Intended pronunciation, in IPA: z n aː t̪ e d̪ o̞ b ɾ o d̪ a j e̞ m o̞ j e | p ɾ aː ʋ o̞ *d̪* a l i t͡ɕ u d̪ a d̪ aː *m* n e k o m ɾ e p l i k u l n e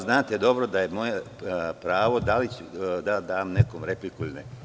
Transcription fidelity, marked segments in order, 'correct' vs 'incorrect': correct, correct

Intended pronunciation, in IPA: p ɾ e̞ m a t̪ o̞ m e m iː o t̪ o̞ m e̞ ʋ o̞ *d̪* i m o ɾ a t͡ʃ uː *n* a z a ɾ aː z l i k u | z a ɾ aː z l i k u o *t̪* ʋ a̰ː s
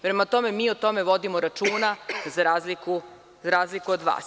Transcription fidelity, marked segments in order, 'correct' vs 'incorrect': correct, correct, incorrect: d̪

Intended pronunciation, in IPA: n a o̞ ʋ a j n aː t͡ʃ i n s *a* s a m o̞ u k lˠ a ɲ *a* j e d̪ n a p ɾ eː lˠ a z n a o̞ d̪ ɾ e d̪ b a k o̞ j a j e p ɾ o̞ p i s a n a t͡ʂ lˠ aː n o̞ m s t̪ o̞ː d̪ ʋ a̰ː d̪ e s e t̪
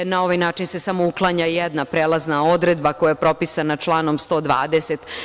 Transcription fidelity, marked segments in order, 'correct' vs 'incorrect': incorrect: e, correct

